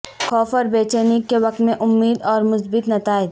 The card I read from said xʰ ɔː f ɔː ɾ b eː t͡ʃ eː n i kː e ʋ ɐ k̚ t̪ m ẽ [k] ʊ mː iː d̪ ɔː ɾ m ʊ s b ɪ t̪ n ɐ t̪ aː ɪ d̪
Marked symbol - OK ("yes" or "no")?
no